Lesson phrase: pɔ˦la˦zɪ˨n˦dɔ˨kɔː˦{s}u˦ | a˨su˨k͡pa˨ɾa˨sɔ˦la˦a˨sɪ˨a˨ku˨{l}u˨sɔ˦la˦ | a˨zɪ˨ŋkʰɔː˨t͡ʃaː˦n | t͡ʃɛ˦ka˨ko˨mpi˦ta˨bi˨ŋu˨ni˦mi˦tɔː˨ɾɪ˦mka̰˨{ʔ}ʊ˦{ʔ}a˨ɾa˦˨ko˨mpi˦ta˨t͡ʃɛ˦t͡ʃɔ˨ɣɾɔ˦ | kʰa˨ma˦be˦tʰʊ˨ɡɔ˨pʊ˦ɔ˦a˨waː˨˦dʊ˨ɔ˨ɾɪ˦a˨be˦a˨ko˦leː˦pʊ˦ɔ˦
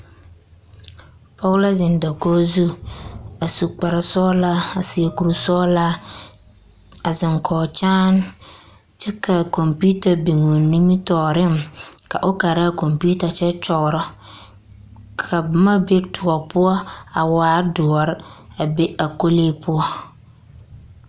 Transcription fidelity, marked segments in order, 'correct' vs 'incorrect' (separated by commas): incorrect, incorrect, correct, incorrect